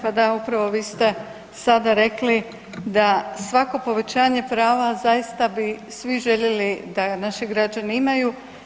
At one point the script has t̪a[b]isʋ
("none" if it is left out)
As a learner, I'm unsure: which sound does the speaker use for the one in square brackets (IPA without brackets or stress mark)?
b